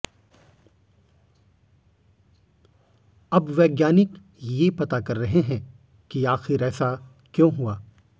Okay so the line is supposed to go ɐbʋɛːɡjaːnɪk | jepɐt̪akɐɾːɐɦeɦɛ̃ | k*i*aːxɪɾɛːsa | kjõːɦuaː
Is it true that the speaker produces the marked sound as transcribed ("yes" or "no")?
yes